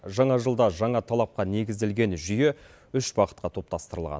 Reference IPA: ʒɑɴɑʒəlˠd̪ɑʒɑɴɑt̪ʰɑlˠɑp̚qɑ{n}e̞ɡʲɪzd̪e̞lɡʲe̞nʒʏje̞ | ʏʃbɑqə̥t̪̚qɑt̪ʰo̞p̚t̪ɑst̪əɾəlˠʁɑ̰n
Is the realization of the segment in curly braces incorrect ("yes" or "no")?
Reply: no